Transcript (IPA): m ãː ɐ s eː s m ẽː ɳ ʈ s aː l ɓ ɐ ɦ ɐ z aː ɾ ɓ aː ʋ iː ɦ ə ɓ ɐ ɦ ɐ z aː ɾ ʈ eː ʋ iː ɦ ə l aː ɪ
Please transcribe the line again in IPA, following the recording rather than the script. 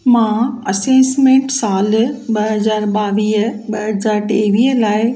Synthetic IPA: m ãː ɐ s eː s m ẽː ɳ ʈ s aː l ɓ ɐ ɦ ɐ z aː ɾ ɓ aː ʋ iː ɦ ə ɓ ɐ ɦ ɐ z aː ɾ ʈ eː ʋ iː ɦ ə l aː ɪ

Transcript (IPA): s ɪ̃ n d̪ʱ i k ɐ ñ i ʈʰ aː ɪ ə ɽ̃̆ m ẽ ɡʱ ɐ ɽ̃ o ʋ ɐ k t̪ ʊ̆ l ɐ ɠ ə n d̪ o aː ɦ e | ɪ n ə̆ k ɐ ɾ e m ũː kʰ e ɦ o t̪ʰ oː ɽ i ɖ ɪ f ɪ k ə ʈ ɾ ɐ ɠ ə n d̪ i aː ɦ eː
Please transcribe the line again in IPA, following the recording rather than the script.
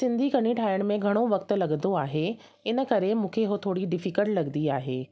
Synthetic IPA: s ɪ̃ n d̪ʱ i k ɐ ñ i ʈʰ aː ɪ ə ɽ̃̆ m ẽ ɡʱ ɐ ɽ̃ o ʋ ɐ k t̪ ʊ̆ l ɐ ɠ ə n d̪ o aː ɦ e | ɪ n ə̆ k ɐ ɾ e m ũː kʰ e ɦ o t̪ʰ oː ɽ i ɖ ɪ f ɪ k ə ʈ l ɐ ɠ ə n d̪ i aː ɦ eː

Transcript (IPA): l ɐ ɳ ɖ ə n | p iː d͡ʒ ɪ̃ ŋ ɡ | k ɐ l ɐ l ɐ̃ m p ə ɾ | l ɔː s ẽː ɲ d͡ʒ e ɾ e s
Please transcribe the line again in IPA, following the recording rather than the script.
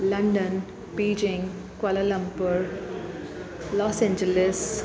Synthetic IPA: l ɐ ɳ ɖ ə n | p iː d͡ʒ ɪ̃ ŋ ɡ | k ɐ l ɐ l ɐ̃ m p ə ɾ | l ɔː s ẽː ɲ d͡ʒ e l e s

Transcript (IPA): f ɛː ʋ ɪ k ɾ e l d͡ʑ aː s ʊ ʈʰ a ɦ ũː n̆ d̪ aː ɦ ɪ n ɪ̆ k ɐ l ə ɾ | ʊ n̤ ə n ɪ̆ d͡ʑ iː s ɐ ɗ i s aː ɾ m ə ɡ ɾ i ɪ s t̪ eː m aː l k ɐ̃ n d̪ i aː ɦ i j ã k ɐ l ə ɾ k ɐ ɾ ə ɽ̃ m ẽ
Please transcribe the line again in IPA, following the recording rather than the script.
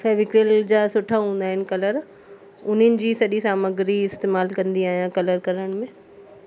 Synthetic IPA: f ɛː ʋ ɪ k ɾ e l d͡ʑ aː s ʊ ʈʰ a ɦ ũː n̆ d̪ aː ɦ ɪ n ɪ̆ k ɐ l ə ɾ | ʊ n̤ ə n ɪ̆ d͡ʑ iː s ɐ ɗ i s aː m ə ɡ ɾ i ɪ s t̪ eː m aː l k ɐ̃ n d̪ i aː ɦ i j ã k ɐ l ə ɾ k ɐ ɾ ə ɽ̃ m ẽ

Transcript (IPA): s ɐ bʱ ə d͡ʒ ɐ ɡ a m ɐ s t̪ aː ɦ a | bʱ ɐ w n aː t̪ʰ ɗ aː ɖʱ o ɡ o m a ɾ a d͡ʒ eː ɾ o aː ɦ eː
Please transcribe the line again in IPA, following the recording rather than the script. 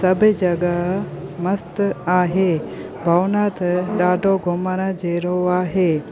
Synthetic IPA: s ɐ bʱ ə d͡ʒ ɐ ɡ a m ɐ s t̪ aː ɦ e | bʱ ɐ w n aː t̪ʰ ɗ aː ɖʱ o ɡ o m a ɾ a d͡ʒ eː ɾ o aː ɦ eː

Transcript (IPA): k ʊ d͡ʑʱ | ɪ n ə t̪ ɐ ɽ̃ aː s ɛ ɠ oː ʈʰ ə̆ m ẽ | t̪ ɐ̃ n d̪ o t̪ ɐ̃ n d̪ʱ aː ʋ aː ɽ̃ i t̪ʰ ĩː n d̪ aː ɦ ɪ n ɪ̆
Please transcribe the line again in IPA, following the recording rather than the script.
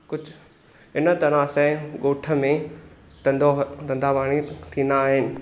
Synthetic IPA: k ʊ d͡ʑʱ | ɪ n ə t̪ ɐ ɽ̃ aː s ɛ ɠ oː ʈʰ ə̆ m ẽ | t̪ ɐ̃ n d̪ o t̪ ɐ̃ n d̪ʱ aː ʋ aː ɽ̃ i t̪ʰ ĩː n d̪ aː ɦ ɪ n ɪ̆

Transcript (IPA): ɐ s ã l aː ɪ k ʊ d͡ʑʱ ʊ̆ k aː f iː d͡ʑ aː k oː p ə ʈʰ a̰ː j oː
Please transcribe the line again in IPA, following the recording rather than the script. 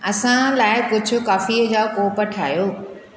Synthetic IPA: ɐ s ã l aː ɪ k ʊ d͡ʑʱ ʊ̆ k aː f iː d͡ʑ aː k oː p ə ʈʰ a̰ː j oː

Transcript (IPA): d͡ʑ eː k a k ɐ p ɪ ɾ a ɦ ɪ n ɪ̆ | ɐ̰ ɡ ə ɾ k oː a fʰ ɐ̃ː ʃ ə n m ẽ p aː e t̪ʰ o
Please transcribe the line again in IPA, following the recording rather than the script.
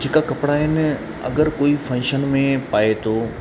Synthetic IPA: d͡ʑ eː k a k ɐ p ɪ ɽ a ɦ ɪ n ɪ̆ | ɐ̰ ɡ ə ɾ k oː i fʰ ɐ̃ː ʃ ə n m ẽ p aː e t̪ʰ o

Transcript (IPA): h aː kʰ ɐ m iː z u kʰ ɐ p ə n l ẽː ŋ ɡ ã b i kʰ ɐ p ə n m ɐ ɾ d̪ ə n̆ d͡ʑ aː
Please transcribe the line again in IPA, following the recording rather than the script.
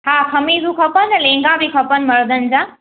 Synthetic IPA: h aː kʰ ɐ m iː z u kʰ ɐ p ə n l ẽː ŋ ɡ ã b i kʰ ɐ p ə n m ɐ ɾ d̪ ə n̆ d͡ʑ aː

